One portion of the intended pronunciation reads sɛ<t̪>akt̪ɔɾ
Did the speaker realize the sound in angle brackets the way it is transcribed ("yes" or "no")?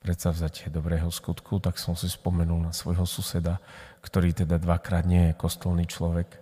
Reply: no